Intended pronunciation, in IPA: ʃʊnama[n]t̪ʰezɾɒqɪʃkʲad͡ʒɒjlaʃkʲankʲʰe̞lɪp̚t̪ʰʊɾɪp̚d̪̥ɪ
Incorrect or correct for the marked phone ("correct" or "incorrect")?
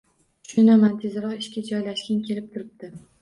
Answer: correct